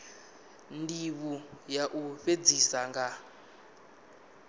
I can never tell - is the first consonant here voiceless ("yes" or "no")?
no